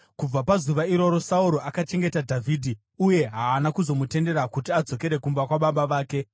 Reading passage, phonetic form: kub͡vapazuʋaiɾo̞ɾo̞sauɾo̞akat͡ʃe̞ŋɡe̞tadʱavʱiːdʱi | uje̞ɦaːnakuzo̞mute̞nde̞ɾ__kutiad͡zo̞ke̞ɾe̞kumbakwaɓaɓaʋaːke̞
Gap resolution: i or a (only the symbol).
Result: a